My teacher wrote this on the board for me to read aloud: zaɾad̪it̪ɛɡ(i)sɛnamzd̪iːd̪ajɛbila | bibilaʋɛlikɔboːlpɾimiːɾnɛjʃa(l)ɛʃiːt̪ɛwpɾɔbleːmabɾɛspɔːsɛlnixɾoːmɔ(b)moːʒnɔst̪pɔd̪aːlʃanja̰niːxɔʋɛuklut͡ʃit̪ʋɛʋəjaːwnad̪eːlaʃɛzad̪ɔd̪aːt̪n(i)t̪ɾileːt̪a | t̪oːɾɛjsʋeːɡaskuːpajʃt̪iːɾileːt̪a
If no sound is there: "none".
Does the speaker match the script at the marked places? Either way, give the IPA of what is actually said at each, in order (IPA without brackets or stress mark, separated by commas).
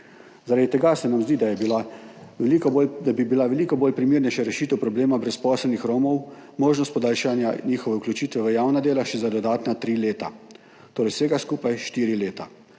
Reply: a, ɾ, w, a